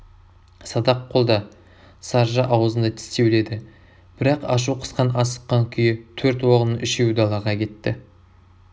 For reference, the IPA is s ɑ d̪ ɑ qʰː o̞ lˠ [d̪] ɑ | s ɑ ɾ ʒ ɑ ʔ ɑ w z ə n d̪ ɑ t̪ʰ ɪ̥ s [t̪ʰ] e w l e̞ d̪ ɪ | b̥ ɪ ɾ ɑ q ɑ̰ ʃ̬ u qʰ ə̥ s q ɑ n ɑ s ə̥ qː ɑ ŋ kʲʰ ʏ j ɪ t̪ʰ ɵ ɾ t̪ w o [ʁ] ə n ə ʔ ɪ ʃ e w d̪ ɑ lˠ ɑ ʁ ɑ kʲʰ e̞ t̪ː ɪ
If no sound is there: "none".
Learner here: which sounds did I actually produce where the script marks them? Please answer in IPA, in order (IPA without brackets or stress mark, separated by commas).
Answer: d̪, t̪, ʁ